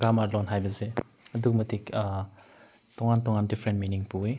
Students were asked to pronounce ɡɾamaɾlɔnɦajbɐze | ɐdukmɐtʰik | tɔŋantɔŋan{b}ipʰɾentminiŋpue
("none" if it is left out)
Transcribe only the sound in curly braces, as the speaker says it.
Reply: d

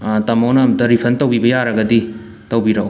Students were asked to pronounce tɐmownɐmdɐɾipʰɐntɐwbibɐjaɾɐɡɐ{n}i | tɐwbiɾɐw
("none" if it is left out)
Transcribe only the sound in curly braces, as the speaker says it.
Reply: d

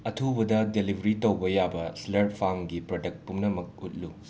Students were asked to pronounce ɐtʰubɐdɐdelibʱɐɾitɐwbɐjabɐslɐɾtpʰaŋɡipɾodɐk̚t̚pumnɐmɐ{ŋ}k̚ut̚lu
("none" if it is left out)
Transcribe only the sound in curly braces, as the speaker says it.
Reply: none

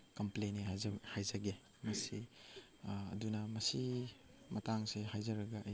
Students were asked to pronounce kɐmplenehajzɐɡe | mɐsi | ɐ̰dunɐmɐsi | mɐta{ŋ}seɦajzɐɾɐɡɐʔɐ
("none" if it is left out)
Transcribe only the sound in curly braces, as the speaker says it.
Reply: ŋ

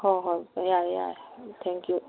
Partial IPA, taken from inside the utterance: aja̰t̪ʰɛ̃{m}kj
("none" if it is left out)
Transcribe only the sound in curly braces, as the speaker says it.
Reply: ŋ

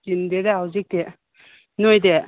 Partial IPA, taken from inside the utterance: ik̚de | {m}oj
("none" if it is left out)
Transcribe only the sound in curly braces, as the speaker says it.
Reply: n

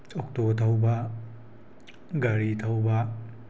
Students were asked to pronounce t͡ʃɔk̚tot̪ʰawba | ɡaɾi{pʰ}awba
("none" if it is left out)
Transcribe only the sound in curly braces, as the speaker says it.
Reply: tʰ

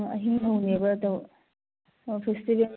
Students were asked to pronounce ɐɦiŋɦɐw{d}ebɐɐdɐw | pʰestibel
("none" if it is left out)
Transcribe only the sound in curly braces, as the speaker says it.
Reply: n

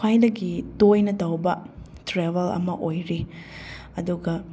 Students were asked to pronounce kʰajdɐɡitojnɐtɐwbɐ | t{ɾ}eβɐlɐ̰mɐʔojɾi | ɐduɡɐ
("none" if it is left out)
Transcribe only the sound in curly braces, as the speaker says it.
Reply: ɾ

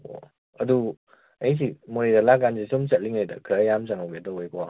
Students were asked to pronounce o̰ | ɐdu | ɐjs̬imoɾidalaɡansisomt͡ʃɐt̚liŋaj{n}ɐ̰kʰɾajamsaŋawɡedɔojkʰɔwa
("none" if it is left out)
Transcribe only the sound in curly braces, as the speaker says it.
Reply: d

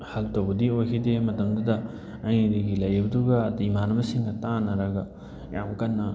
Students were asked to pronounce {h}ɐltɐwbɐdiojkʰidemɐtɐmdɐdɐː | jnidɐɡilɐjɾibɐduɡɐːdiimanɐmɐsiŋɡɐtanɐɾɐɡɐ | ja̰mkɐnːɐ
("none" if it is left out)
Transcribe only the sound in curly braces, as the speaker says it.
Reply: h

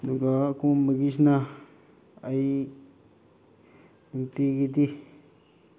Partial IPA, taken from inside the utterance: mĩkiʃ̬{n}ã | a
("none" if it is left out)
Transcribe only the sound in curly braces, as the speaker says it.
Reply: n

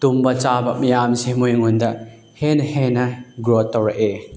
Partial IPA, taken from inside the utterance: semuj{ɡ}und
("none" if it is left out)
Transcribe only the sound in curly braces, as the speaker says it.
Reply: ŋ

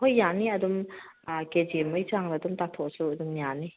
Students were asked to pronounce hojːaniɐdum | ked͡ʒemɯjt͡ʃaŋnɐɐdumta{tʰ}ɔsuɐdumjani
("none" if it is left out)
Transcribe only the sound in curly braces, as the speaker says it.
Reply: tʰ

